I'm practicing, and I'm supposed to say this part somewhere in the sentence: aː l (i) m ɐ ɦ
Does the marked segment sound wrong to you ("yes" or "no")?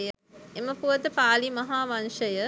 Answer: no